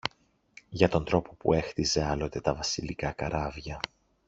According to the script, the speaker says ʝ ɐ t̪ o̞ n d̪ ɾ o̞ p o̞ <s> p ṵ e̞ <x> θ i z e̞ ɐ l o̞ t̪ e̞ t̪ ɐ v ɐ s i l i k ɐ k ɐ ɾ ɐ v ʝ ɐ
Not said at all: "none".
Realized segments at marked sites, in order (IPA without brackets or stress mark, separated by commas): none, x